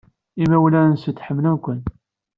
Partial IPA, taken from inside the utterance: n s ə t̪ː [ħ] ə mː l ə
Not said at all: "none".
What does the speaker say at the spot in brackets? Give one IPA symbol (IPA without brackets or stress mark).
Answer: ħ